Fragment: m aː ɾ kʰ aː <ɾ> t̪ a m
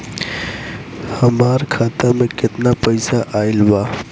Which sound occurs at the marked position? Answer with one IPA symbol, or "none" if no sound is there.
none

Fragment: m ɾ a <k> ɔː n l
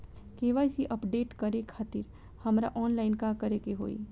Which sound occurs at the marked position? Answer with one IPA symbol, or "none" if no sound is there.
ʔ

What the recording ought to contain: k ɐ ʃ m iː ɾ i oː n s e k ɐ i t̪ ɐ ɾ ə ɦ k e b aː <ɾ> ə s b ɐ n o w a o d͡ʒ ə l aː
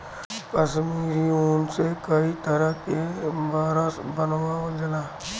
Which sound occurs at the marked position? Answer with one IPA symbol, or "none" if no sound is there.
ɾ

